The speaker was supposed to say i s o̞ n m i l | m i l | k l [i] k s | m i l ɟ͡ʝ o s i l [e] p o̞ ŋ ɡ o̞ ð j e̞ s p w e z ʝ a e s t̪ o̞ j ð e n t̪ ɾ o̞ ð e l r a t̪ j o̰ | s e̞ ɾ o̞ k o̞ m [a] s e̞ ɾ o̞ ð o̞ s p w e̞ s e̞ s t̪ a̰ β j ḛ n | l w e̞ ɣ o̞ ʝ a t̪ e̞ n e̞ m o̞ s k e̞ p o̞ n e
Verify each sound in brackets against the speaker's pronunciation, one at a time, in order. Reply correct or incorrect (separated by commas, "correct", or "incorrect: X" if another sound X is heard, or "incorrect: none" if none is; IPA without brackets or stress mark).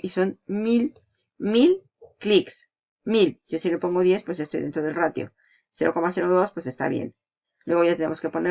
correct, correct, correct